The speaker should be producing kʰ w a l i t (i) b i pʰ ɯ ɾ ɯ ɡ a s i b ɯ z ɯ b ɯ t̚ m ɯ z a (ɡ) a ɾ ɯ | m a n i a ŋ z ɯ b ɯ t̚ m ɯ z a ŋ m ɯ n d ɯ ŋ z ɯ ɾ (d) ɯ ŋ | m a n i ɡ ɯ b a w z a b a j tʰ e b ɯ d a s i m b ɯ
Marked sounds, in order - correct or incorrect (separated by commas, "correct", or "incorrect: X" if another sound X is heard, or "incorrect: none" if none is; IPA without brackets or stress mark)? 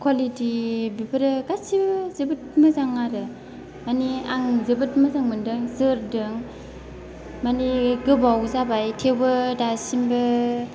correct, incorrect: ŋ, correct